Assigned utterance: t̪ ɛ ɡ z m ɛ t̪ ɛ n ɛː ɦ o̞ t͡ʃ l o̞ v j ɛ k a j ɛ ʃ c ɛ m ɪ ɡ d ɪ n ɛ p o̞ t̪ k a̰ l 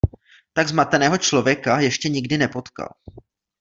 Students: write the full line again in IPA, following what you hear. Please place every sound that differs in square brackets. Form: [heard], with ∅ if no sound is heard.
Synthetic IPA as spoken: t̪ [a] ɡ z m [a] t̪ ɛ n ɛː ɦ o̞ t͡ʃ l o̞ v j ɛ k a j ɛ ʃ c ɛ [ɲ] ɪ ɡ d ɪ n ɛ p o̞ t̪ k a̰ l